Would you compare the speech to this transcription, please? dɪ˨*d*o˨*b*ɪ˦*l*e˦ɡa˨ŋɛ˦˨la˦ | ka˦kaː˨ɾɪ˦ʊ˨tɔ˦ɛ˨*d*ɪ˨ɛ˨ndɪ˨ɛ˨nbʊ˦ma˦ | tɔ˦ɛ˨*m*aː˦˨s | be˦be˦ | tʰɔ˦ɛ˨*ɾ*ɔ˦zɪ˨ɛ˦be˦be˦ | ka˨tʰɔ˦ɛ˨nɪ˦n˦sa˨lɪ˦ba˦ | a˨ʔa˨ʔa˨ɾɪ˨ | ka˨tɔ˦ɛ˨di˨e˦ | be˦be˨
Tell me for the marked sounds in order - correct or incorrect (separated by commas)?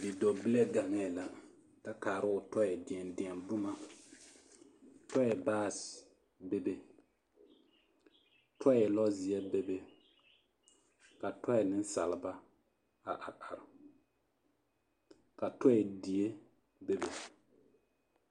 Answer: correct, correct, correct, correct, incorrect, incorrect